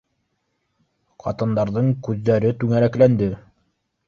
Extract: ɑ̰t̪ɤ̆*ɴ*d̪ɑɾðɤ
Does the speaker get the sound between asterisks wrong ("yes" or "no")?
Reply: yes